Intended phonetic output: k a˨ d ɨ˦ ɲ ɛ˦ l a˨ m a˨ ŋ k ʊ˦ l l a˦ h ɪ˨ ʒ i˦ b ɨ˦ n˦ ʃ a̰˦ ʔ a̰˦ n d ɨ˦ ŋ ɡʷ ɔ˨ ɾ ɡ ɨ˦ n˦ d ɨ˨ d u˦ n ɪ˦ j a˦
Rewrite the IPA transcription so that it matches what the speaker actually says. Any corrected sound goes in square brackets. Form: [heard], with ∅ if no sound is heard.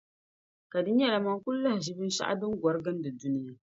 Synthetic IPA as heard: k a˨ d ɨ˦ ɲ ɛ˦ l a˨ m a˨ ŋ k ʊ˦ l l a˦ h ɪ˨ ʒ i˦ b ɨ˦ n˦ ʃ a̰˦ ʔ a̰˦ [∅] d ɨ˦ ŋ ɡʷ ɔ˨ ɾ ɡ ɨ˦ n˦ d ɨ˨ d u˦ n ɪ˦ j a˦